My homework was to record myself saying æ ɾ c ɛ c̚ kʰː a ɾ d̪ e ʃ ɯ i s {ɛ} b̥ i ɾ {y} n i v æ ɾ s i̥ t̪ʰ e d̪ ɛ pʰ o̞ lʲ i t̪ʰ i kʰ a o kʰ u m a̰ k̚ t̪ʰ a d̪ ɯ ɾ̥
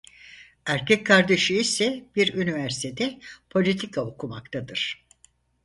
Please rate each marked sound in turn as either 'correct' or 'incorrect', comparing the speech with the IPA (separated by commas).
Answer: correct, correct